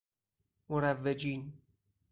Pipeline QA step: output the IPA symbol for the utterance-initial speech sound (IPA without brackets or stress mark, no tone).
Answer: m